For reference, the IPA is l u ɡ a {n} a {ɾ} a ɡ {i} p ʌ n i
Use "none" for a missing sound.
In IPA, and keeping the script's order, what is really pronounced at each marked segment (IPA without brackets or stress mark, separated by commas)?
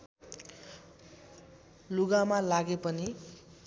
m, l, e